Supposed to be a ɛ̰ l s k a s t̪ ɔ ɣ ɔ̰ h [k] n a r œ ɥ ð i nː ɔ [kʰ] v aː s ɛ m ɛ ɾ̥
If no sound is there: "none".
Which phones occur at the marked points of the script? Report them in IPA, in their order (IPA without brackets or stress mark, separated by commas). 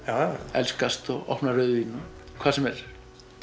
p, kʰ